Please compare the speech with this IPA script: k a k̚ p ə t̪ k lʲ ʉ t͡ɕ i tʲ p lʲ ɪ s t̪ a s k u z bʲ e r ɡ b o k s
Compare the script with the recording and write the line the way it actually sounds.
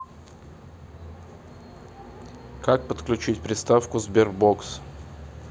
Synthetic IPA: k a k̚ p ə t̪ k lʲ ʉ t͡ɕ i tʲ p ɾʲ ɪ s t̪ a f k ʊ z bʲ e r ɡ b o k s